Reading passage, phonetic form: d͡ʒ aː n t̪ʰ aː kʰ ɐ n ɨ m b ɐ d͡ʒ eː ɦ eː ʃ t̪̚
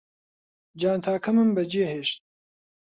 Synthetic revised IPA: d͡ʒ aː n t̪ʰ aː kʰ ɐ m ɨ m b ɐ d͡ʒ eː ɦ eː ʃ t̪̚